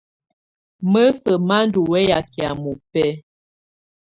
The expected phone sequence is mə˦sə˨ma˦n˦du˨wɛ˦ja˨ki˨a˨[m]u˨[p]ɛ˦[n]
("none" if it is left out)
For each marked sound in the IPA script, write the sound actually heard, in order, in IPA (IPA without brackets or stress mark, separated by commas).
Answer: m, p, none